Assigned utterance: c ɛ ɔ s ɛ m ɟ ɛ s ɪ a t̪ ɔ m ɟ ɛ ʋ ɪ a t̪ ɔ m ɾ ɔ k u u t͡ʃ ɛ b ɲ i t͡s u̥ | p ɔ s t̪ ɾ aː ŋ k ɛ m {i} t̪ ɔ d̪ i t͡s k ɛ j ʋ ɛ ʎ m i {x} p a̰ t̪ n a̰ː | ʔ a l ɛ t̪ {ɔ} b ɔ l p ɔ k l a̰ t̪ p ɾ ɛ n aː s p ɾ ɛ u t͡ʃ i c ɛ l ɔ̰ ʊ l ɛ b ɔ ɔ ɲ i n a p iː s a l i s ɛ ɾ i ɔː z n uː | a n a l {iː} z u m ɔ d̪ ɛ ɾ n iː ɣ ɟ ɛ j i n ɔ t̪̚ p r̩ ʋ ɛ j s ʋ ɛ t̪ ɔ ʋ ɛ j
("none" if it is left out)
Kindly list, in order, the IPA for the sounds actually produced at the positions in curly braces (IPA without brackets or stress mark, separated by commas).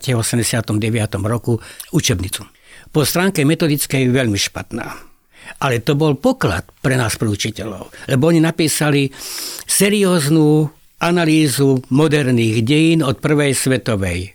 ɛ, ʃ, ɔ, iː